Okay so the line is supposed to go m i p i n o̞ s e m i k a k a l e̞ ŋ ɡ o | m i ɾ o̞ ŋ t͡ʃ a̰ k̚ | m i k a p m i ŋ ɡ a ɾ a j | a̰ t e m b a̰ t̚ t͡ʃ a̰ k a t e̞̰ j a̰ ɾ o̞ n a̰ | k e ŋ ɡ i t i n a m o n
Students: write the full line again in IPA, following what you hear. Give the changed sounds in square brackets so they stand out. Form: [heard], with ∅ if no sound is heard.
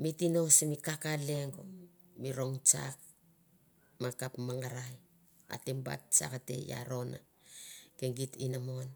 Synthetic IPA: m i [t] i n o̞ s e m i k a k a l e̞ ŋ ɡ o | m i ɾ o̞ ŋ t͡ʃ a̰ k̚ | m [a] k a p m [a] ŋ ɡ a ɾ a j | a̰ t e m b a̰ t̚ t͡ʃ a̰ k a t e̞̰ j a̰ ɾ o̞ n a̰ | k e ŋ ɡ i t i n a m o n

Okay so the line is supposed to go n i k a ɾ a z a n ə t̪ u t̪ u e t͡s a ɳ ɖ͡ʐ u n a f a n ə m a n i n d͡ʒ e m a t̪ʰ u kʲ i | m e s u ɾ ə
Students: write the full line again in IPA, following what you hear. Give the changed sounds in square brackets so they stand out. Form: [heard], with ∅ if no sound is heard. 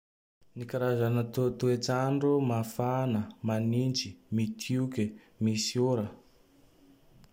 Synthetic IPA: n i k a ɾ a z a n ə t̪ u t̪ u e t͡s a ɳ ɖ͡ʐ u [m] a f a n ə m a n i n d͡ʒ [i] m [i] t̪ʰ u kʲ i | m [i] s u ɾ ə

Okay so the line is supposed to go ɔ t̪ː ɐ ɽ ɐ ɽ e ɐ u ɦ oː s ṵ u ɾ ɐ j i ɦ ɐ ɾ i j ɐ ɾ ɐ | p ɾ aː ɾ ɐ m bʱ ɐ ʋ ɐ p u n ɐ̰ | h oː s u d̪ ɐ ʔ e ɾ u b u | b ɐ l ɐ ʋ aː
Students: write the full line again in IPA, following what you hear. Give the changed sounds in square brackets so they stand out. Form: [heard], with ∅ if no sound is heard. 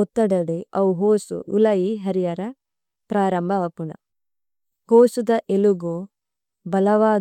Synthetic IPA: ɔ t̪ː ɐ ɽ ɐ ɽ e ɐ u ɦ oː s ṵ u [l] ɐ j i ɦ ɐ ɾ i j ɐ ɾ ɐ | p ɾ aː ɾ ɐ m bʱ ɐ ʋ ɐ p u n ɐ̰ | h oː s u d̪ ɐ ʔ e [l] u [ɡ] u | b ɐ l ɐ ʋ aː

